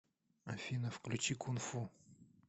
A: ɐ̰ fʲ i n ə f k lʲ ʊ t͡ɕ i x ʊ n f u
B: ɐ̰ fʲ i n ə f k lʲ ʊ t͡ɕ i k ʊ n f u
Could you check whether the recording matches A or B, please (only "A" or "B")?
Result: B